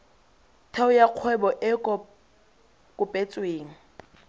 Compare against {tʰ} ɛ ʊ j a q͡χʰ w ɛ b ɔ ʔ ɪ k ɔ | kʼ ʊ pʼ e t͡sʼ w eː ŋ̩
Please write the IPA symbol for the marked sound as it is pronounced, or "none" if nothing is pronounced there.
tʰ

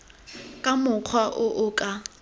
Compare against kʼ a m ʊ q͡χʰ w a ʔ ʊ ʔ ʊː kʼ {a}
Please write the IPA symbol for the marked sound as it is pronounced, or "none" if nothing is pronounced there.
a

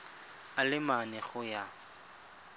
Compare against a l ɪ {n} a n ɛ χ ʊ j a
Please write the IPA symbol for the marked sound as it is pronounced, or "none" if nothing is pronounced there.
m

